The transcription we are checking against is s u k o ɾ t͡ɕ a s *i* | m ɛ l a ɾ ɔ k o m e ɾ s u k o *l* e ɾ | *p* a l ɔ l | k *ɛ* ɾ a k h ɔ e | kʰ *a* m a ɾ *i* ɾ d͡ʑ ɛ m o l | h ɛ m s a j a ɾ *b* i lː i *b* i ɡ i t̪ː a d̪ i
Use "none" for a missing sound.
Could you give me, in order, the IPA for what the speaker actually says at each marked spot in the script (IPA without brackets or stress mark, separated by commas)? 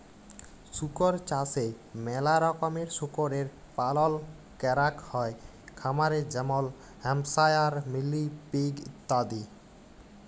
e, ɾ, p, ɛ, a, e, m, p